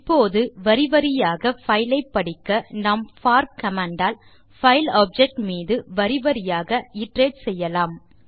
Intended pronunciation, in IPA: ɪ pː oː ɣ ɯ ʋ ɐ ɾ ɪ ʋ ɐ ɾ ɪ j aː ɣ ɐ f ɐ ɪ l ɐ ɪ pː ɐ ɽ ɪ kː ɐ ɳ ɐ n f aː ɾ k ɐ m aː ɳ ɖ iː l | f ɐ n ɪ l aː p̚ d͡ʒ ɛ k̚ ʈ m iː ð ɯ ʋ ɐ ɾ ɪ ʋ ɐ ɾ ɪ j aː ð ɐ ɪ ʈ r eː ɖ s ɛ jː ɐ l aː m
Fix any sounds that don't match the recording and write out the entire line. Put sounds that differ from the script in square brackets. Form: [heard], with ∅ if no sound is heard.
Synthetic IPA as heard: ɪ pː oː [ð] ɯ ʋ ɐ ɾ ɪ ʋ ɐ ɾ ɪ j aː ɣ ɐ f ɐ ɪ l ɐ ɪ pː ɐ ɽ ɪ kː ɐ [n] ɐ [m] f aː ɾ k ɐ m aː ɳ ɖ [aː] l | f ɐ [∅] ɪ l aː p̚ d͡ʒ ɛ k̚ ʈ m iː ð ɯ ʋ ɐ ɾ ɪ ʋ ɐ ɾ ɪ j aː [ɣ] ɐ ɪ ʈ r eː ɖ s ɛ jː ɐ l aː m